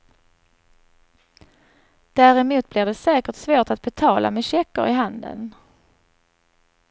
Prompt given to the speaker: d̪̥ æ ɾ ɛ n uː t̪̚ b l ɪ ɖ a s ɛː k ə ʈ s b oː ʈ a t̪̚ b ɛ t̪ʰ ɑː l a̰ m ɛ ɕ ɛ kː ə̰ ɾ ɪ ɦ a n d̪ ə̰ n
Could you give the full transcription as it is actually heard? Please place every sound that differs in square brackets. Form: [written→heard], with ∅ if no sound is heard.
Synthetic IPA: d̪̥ æ ɾ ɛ [n→m] uː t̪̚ b l ɪ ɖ [a→ɛ] s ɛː k ə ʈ s [b→v] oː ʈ a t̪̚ b ɛ t̪ʰ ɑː l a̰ m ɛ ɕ ɛ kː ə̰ ɾ ɪ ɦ a n d̪ ə̰ n